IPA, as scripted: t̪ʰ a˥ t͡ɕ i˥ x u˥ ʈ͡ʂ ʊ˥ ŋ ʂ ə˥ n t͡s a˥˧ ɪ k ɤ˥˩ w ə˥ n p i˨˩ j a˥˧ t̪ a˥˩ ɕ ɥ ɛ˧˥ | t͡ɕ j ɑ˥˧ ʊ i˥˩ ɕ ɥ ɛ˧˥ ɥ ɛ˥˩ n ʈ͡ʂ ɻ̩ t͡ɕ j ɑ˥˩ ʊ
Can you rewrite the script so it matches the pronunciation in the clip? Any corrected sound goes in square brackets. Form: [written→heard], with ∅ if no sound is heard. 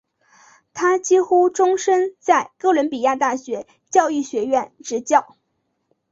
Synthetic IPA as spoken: t̪ʰ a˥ t͡ɕ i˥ x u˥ ʈ͡ʂ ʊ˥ ŋ ʂ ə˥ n t͡s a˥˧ ɪ k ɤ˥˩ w [ə˥→ə˧˥] n p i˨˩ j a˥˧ t̪ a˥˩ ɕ ɥ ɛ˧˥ | t͡ɕ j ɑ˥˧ ʊ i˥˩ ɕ ɥ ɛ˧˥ ɥ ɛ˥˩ n ʈ͡ʂ ɻ̩ t͡ɕ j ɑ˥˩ ʊ